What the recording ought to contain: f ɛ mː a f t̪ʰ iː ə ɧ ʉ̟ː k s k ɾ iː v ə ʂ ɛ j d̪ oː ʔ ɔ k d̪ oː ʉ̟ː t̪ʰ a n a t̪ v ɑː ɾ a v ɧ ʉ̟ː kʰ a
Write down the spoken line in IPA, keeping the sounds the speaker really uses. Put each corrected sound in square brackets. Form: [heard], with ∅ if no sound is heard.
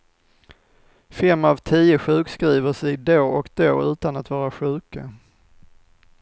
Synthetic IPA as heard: f ɛ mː a [v] t̪ʰ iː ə ɧ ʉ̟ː k s k ɾ iː v ə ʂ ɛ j d̪ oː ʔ ɔ k d̪ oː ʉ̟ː [t̪] a n a t̪ v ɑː ɾ a [∅] ɧ ʉ̟ː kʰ a